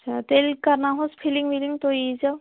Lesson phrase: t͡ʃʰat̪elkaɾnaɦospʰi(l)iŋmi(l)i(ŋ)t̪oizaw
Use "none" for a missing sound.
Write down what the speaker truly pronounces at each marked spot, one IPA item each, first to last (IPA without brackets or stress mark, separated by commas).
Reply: l, l, ŋ